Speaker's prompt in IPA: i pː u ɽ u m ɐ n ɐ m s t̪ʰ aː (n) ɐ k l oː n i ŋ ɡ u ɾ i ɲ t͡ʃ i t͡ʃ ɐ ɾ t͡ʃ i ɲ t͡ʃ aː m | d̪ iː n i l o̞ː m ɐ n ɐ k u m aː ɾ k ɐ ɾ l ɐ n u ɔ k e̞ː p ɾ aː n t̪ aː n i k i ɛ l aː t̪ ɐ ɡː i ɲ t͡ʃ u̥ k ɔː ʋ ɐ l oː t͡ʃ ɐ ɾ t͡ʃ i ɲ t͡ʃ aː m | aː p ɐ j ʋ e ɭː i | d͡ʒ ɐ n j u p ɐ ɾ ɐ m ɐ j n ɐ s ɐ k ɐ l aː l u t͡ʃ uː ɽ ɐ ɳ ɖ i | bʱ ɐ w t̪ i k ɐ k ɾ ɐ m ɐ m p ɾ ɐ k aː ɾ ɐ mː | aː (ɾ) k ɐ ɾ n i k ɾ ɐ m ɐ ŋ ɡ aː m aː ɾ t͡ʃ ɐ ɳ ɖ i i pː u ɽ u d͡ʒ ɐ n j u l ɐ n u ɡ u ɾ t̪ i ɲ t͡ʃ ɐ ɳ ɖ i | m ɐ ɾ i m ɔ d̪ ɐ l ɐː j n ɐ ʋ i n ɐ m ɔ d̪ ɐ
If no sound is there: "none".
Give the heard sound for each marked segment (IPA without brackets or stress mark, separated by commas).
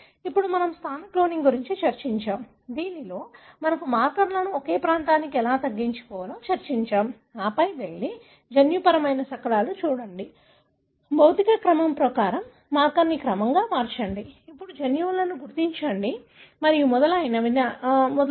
n, ɾ